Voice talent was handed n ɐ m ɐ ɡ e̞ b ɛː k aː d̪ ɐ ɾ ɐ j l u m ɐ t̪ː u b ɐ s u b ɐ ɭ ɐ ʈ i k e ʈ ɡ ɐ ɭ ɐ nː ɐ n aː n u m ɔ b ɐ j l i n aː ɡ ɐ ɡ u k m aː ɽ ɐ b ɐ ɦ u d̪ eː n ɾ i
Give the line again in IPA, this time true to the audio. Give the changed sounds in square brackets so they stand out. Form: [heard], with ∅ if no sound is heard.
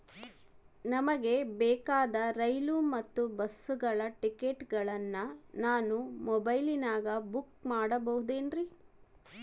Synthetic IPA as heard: n ɐ m ɐ ɡ e̞ b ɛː k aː d̪ ɐ ɾ ɐ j l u m ɐ t̪ː u b ɐ s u [ɡ] ɐ ɭ ɐ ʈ i k e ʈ ɡ ɐ ɭ ɐ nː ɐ n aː n u m ɔ b ɐ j l i n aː ɡ ɐ [b] u k m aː ɽ ɐ b ɐ ɦ u d̪ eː n ɾ i